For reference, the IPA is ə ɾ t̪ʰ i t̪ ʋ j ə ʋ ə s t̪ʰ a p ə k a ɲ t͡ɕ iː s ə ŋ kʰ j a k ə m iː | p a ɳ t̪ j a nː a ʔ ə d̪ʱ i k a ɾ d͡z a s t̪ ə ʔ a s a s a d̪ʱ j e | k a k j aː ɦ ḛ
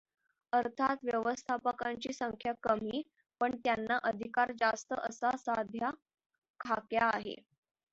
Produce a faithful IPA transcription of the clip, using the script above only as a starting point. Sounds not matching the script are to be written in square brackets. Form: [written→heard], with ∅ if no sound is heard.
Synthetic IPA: ə ɾ t̪ʰ [i→a] t̪ ʋ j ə ʋ ə s t̪ʰ a p ə k a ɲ t͡ɕ iː s ə ŋ kʰ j a k ə m iː | p [a→ə] ɳ t̪ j a nː a ʔ ə d̪ʱ i k a ɾ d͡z a s t̪ ə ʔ [a→ə] s a s a d̪ʱ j [e→a] | [k→kʰ] a k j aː ɦ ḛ

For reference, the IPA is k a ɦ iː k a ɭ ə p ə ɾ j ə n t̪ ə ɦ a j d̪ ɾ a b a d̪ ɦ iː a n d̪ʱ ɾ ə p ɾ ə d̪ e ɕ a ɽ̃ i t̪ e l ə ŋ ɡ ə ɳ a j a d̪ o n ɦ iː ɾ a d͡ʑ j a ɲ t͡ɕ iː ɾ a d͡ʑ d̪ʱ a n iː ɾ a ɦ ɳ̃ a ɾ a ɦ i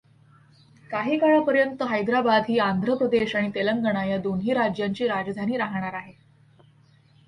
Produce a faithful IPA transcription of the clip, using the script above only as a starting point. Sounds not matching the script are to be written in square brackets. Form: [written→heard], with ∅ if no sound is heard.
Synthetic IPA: k a ɦ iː k a ɭ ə p ə ɾ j ə n t̪ ə ɦ a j d̪ ɾ a b a d̪ ɦ iː a n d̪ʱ ɾ ə p ɾ ə d̪ e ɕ a ɽ̃ i t̪ e l ə ŋ ɡ ə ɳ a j a d̪ o n ɦ iː ɾ a d͡ʑ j a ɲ t͡ɕ iː ɾ a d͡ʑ d̪ʱ a n iː ɾ a ɦ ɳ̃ a ɾ a ɦ [i→e]

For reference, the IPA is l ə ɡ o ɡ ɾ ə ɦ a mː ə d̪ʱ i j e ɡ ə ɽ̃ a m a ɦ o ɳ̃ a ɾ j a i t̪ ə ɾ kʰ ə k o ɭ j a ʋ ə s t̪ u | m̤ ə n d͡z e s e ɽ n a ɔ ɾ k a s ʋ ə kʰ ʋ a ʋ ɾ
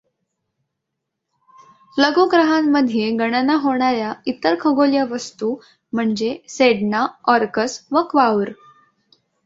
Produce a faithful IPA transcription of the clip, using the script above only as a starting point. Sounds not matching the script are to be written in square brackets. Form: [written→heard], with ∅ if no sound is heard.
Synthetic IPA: l ə ɡ o ɡ ɾ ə ɦ a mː ə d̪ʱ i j e ɡ ə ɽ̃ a [m→n] a ɦ o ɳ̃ a ɾ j a i t̪ ə ɾ kʰ ə [k→ɡ] o [ɭ→l] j a ʋ ə s t̪ u | m̤ ə [n→ɳ] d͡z e s e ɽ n a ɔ ɾ k [a→ə] s ʋ ə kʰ ʋ a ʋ ɾ

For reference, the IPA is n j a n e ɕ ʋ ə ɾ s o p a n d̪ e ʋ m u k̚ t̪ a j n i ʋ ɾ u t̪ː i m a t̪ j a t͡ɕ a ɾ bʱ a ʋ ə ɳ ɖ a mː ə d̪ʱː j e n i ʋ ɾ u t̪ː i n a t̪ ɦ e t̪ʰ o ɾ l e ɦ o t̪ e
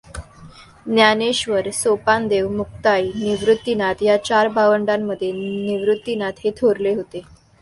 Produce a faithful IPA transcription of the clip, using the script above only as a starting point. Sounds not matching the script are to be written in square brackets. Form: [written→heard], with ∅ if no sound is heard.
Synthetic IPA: n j a n e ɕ ʋ ə ɾ s o p a n d̪ e ʋ m u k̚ t̪ a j n i ʋ ɾ u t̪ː i [m→n] a t̪ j a t͡ɕ a ɾ bʱ a ʋ ə ɳ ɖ a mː ə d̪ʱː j e n i ʋ ɾ u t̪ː i n a t̪ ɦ e t̪ʰ o ɾ l e ɦ o t̪ e

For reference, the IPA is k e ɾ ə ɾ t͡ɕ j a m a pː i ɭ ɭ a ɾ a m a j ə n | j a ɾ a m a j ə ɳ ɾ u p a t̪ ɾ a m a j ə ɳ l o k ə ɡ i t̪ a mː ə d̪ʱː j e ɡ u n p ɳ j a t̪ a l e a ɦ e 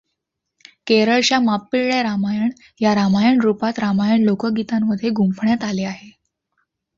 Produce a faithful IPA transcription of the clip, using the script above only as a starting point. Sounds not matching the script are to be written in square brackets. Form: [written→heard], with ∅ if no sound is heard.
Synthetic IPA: k e ɾ ə [ɾ→ɭ] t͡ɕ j a m a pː i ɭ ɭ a ɾ a m a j ə [n→ɳ] | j a ɾ a m a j ə ɳ ɾ u p a t̪ ɾ a m a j ə ɳ l o k ə ɡ i t̪ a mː ə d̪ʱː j e ɡ u [n→m] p ɳ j a t̪ a l e a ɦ e

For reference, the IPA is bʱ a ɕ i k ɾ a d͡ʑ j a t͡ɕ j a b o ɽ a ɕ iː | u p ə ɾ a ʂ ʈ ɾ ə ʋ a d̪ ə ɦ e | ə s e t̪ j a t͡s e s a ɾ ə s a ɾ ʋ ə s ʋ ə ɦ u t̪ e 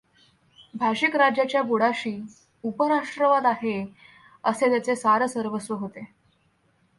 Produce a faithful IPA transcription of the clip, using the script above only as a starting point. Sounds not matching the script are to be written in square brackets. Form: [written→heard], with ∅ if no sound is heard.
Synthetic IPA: bʱ a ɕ i k ɾ a d͡ʑ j a t͡ɕ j a b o ɽ a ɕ iː | u p ə ɾ a ʂ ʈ ɾ ə ʋ a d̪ [ə→a] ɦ e | ə s e t̪ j a t͡s e s a ɾ ə s [a→ə] ɾ ʋ ə s ʋ ə ɦ [u→o] t̪ e

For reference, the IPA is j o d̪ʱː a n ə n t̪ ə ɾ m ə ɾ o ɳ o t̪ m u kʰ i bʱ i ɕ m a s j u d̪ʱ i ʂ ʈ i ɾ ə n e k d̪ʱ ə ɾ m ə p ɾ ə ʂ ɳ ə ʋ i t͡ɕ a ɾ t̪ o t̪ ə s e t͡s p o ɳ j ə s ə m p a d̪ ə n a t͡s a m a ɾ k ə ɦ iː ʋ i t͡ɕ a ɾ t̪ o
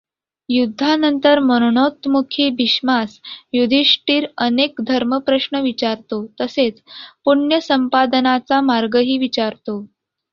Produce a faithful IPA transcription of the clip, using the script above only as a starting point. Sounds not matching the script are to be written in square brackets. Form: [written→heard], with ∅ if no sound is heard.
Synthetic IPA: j [o→u] d̪ʱː a n ə n t̪ ə ɾ m ə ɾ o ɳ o t̪ m u kʰ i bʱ i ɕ m a s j u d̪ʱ i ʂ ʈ [i→iː] ɾ ə n e k d̪ʱ ə ɾ m ə p ɾ ə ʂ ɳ ə ʋ i t͡ɕ a ɾ t̪ o t̪ ə s e t͡s p [o→u] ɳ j ə s ə m p a d̪ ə n a t͡s a m a ɾ [k→ɡ] ə ɦ iː ʋ i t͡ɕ a ɾ t̪ o

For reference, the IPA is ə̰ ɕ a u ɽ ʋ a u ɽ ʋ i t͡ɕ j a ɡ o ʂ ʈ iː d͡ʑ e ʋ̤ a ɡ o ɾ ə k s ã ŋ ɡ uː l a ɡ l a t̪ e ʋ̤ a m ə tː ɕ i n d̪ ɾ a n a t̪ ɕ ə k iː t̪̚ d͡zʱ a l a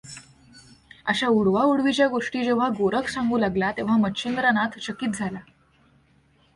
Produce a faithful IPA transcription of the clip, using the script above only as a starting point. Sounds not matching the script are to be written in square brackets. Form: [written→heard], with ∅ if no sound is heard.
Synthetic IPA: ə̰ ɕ a u ɽ ʋ a u ɽ ʋ i t͡ɕ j a ɡ o ʂ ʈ iː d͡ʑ e ʋ̤ a ɡ o ɾ ə k s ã ŋ ɡ uː l a ɡ l a t̪ e ʋ̤ a m ə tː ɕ i n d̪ ɾ a n a t̪ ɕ ə k iː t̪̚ d͡zʱ a l a

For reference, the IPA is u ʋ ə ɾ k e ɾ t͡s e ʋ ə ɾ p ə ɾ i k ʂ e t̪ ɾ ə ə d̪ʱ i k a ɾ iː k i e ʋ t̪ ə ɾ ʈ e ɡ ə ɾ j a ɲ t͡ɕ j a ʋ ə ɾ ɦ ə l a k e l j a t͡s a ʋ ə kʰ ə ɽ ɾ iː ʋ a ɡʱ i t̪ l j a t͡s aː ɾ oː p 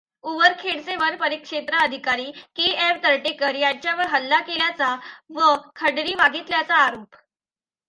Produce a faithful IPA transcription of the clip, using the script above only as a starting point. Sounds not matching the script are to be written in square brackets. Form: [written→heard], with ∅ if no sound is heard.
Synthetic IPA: u ʋ ə ɾ [k→kʰ] e [ɾ→ɽ] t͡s e ʋ ə ɾ p ə ɾ i k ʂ e t̪ ɾ ə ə d̪ʱ i k a ɾ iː k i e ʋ t̪ ə ɾ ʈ e [ɡ→k] ə ɾ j a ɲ t͡ɕ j a ʋ ə ɾ ɦ ə [l→lː] a k e l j a t͡s a ʋ ə kʰ ə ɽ ɾ iː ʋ a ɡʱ i t̪ l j a t͡s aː ɾ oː p

